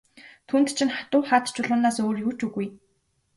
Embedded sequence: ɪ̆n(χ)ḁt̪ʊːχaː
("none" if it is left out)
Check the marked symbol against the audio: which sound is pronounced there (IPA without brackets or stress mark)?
χ